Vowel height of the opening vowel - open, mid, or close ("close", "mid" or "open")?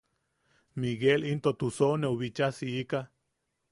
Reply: close